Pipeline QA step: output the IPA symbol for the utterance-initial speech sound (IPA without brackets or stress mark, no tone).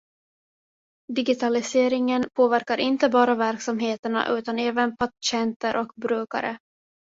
d̪